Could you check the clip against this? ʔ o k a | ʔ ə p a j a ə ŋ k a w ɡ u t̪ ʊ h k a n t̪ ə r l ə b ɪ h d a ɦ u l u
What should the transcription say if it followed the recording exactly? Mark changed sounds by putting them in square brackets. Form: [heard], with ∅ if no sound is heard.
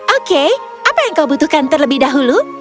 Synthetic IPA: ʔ o k [e] | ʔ [a] p a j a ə ŋ k a w [b] u t̪ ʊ h k a n t̪ ə r l ə b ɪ h d a ɦ u l u